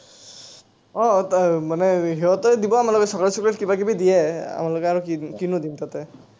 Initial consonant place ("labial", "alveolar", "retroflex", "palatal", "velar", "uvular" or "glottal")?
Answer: labial